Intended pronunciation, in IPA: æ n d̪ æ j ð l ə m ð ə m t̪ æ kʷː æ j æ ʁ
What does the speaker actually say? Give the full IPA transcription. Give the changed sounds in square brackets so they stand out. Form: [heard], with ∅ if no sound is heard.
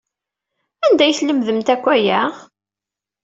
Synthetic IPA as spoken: æ n d̪ æ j [θ] l ə m ð ə m t̪ æ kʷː æ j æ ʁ